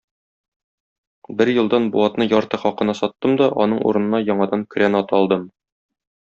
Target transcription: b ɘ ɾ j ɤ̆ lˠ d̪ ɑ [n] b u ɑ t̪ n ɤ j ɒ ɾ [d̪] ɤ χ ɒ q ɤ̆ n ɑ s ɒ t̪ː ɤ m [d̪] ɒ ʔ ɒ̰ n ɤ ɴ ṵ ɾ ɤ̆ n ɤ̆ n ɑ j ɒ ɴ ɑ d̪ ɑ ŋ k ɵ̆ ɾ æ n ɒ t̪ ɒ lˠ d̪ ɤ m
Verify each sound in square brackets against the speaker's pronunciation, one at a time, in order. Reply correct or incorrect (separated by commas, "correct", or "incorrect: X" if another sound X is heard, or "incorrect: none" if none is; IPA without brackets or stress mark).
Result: correct, incorrect: t̪, correct